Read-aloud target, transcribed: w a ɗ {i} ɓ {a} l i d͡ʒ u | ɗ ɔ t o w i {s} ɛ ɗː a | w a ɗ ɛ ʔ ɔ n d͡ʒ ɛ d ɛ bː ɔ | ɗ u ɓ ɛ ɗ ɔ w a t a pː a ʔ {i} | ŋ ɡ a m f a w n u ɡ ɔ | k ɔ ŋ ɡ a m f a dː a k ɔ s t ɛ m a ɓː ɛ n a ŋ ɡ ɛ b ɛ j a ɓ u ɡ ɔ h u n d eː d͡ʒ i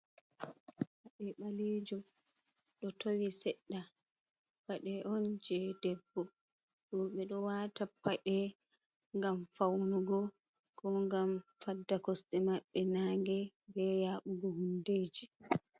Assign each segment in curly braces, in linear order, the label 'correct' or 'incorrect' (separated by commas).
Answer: incorrect, correct, correct, incorrect